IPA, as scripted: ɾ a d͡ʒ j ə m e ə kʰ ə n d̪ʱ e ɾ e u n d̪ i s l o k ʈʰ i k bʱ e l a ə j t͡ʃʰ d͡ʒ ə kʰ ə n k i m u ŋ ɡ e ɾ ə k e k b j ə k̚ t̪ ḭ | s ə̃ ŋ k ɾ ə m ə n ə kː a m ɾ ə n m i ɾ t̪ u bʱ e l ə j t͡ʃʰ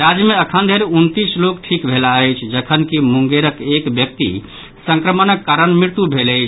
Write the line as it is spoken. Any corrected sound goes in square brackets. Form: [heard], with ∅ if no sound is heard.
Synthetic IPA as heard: ɾ a d͡ʒ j ə m e ə kʰ ə n d̪ʱ e ɾ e u n [t̪] i s l o k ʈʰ i k bʱ e l a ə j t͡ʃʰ d͡ʒ ə kʰ ə n k i m u ŋ ɡ e ɾ ə k e k b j ə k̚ t̪ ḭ | s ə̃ ŋ k ɾ ə m ə n ə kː a [∅] ɾ ə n m i ɾ t̪ u bʱ e l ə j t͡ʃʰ